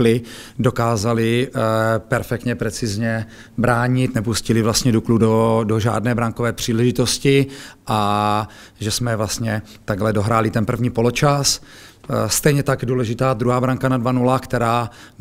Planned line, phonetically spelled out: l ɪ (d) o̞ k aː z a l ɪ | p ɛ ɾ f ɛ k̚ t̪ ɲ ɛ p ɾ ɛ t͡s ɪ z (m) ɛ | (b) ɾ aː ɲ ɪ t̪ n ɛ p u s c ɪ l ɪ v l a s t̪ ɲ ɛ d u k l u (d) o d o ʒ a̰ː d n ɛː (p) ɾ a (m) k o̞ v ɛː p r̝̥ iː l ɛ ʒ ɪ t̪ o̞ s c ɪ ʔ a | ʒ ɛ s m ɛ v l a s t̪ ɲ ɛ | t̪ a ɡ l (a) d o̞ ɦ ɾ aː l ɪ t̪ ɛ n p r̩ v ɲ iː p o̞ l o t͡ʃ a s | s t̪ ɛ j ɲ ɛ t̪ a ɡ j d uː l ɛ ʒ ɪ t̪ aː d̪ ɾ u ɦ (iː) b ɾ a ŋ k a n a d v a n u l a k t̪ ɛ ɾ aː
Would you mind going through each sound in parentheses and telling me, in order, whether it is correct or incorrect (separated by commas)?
correct, incorrect, correct, correct, incorrect, incorrect, incorrect, incorrect